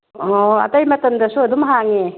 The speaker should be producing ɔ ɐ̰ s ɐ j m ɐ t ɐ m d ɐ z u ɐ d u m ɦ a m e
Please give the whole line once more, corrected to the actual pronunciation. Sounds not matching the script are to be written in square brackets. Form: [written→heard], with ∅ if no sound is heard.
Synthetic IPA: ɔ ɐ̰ [s→t] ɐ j m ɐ t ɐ m d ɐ [z→s] u ɐ d u m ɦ a [m→ŋ] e